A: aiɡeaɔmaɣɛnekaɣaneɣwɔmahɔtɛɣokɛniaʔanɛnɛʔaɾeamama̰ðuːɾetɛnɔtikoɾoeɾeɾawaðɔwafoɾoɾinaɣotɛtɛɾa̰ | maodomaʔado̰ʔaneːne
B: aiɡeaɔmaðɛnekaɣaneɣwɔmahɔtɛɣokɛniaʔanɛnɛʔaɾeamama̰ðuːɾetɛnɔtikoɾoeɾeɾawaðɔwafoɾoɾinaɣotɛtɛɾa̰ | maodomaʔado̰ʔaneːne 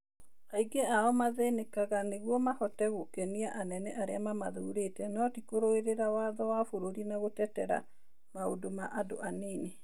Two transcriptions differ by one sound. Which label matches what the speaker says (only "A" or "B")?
B